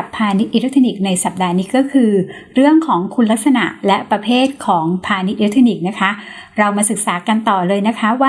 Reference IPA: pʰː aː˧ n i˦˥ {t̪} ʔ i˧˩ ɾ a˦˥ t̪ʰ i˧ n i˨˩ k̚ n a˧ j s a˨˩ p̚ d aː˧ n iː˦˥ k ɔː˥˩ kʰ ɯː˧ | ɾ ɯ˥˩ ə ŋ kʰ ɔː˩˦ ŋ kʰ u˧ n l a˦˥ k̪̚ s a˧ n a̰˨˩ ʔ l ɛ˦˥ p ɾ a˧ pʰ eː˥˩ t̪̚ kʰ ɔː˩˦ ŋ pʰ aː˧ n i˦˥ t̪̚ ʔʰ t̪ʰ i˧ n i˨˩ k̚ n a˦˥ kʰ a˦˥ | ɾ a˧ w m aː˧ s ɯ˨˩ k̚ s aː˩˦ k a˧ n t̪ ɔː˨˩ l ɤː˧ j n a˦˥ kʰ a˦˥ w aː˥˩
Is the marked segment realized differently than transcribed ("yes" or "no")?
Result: no